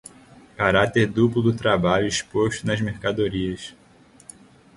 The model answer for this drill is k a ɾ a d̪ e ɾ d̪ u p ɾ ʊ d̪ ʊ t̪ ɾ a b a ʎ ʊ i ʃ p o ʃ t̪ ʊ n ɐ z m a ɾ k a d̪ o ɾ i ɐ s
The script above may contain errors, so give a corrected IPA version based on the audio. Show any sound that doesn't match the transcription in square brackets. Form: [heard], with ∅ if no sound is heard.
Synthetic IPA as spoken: k a ɾ a [t̪] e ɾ d̪ u p [l] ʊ d̪ ʊ t̪ ɾ a b a ʎ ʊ i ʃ p o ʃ t̪ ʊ n ɐ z m [e] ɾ k a d̪ o ɾ i ɐ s